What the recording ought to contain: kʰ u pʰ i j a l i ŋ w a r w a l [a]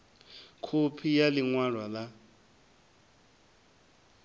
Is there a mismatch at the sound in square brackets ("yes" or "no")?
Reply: no